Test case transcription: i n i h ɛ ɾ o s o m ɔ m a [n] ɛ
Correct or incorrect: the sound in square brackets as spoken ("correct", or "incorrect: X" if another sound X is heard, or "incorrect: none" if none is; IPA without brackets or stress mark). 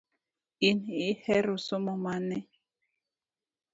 correct